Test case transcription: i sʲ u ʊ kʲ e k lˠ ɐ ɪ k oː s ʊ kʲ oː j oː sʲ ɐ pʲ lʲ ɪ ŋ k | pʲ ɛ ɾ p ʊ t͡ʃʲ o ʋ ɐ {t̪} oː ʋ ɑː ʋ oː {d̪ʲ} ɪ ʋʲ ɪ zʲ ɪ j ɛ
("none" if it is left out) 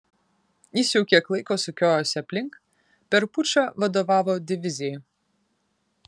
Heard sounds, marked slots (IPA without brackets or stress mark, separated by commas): d̪, d̪ʲ